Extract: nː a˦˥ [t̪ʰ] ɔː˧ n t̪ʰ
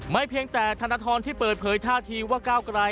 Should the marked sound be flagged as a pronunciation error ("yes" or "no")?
no